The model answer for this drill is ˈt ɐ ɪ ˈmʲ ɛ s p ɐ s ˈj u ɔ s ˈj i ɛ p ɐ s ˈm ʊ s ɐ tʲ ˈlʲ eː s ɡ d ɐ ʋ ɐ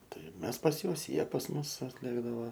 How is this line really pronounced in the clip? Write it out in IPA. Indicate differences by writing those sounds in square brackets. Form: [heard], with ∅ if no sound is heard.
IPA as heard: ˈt ɐ ɪ ˈmʲ ɛ s p ɐ s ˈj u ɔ s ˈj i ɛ p ɐ s ˈm ʊ s ɐ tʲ ˈlʲ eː [∅] ɡ d ɐ ʋ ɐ